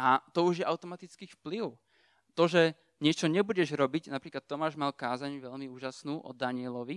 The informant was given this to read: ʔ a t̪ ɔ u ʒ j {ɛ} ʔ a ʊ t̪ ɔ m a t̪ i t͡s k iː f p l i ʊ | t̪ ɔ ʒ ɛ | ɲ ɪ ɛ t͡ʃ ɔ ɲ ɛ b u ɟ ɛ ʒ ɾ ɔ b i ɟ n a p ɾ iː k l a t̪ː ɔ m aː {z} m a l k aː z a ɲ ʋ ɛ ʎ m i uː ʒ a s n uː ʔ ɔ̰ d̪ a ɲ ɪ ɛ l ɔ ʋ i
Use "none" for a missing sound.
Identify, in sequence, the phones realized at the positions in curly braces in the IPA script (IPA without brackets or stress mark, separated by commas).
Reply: ɛ, ʒ